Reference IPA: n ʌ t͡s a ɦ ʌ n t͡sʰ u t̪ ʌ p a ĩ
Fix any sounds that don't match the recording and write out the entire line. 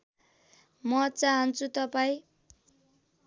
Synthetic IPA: m ʌ t͡s a ɦ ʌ n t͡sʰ u t̪ ʌ p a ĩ